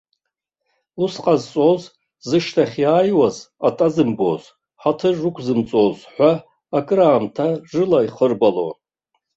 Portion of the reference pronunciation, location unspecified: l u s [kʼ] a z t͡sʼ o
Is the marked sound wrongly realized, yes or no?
yes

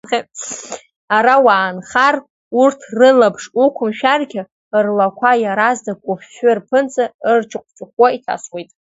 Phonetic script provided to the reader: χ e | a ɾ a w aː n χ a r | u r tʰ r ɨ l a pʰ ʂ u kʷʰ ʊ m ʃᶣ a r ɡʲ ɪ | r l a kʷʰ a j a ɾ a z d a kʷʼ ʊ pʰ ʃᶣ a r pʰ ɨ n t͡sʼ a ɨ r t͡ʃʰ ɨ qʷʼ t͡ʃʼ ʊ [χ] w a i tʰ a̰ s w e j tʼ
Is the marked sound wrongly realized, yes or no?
no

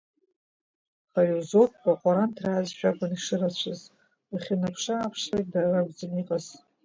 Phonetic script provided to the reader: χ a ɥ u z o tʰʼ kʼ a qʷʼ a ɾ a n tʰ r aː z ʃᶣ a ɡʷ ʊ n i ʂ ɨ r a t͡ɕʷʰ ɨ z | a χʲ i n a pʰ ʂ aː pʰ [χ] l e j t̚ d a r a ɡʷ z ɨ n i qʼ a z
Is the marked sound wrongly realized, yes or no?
yes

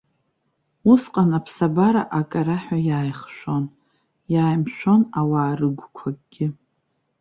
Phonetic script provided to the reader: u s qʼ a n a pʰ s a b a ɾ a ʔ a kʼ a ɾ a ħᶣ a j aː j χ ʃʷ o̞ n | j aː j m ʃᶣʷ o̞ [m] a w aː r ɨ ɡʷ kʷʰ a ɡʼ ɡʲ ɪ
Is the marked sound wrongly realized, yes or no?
yes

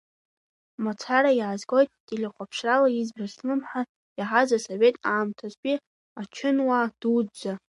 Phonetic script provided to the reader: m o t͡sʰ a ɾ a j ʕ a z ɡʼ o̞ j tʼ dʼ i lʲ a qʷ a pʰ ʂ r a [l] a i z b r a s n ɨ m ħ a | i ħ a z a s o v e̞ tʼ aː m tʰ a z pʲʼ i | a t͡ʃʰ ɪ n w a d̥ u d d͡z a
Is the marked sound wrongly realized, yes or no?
no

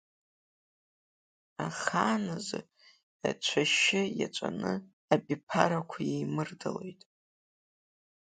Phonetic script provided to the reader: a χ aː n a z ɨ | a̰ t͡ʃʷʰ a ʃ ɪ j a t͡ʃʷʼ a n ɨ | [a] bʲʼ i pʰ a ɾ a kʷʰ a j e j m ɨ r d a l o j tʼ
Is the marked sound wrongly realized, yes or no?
no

